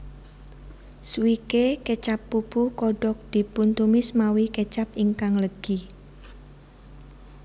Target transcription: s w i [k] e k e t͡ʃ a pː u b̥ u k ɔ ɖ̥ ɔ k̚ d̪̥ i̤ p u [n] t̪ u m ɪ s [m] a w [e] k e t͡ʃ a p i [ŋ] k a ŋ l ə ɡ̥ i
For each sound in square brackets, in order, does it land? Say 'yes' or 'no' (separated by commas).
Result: yes, yes, yes, no, yes